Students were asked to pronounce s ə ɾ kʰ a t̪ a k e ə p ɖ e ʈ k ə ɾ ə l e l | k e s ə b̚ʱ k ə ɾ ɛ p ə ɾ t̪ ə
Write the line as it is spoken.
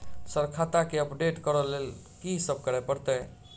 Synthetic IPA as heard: s ə ɾ kʰ a t̪ a k e ə p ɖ e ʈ k ə ɾ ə l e l | k i s ə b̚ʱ k ə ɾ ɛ p ə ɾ t̪ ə

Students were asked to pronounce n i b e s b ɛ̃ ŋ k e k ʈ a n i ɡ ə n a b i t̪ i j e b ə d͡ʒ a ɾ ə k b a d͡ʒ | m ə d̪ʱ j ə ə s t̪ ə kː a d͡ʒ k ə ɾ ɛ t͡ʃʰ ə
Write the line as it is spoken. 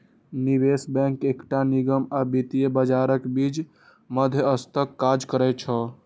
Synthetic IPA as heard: n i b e s b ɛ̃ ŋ k e k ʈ a n i ɡ ə m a b i t̪ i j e b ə d͡ʒ a ɾ ə k b i d͡ʒ | m ə d̪ʱ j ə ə s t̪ ə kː a d͡ʒ k ə ɾ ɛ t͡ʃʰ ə

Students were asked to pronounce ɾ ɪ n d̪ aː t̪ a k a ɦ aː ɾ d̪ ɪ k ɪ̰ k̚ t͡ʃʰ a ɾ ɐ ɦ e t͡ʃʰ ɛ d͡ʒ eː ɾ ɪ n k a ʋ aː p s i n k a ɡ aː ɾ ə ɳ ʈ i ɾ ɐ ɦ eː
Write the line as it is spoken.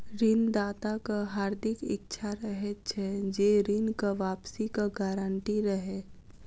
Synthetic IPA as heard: ɾ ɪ n d̪ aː t̪ a k a ɦ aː ɾ d̪ ɪ k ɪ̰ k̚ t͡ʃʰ a ɾ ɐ ɦ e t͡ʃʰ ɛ d͡ʒ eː ɾ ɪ n k a ʋ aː p s i k a ɡ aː ɾ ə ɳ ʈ i ɾ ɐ ɦ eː

